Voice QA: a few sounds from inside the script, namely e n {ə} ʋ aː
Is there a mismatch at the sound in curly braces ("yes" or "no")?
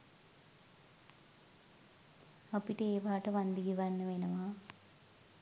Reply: yes